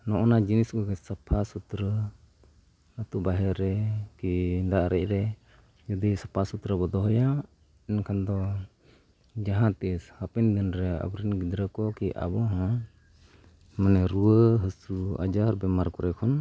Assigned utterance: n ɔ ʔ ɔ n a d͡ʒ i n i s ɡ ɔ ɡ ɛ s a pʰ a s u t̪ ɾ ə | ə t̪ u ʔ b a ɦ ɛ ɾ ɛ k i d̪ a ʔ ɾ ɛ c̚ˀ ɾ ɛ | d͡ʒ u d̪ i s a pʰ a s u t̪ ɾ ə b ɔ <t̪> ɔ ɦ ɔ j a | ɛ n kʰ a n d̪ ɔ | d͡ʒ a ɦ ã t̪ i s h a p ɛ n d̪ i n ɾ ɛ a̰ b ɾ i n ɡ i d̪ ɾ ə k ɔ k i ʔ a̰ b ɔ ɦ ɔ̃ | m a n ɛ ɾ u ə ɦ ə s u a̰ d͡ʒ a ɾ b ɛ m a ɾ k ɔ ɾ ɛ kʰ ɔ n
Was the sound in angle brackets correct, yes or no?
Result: no